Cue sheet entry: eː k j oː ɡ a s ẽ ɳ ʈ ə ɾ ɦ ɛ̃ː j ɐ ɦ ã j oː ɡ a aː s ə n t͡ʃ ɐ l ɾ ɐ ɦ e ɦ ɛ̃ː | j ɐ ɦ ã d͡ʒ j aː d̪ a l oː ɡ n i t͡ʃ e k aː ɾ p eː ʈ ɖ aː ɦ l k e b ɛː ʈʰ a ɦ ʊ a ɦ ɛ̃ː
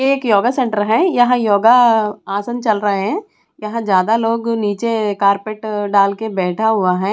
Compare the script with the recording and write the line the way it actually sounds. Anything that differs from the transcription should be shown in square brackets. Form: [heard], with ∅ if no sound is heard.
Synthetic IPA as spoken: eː k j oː ɡ a s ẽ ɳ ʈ ə ɾ ɦ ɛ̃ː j ɐ ɦ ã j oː ɡ a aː s ə n t͡ʃ ɐ l ɾ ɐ ɦ e ɦ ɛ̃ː | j ɐ ɦ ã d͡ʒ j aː d̪ a l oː ɡ n [iː] t͡ʃ e k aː ɾ p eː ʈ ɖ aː [∅] l k e b ɛː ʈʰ a ɦ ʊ a ɦ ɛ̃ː